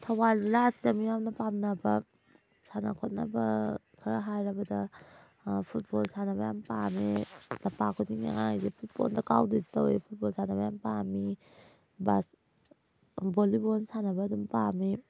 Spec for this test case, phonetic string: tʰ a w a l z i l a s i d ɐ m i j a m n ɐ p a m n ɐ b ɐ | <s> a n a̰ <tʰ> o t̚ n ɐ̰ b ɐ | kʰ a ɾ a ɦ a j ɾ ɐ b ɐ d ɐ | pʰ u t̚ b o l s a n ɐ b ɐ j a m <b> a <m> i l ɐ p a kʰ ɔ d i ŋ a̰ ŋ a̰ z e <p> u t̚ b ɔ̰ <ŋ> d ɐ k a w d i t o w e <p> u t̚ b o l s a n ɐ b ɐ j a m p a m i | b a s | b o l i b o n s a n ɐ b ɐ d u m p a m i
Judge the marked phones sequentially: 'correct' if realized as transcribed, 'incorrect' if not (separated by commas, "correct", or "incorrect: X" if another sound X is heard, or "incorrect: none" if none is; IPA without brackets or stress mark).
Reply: correct, incorrect: kʰ, incorrect: p, correct, incorrect: pʰ, incorrect: n, incorrect: pʰ